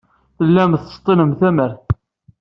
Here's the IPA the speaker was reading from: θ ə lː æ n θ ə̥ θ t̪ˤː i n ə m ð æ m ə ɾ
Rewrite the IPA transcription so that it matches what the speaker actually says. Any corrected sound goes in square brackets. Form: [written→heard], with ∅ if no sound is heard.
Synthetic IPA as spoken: θ ə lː æ [n→m] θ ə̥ [θ→s] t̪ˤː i n ə m [ð→θ] æ m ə ɾ